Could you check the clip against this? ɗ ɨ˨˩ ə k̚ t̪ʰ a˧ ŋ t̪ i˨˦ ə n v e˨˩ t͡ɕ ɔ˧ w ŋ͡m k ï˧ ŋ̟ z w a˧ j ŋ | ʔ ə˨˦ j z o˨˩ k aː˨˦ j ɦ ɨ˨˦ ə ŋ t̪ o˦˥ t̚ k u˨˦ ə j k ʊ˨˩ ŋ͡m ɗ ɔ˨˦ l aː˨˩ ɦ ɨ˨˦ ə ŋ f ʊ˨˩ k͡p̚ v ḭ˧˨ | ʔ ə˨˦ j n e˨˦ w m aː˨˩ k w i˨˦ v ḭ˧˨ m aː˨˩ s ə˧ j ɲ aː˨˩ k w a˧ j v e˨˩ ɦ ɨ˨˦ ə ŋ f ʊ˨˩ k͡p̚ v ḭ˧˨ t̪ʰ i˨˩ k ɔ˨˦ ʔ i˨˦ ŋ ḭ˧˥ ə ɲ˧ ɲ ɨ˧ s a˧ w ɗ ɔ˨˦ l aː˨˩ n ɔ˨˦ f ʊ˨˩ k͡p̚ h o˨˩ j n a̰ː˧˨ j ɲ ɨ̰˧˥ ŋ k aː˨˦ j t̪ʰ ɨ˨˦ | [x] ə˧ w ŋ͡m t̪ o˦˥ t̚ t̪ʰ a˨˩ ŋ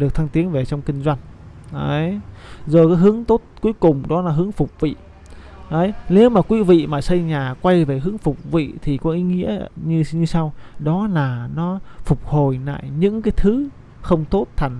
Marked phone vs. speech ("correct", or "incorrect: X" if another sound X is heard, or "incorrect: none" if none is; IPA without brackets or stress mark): correct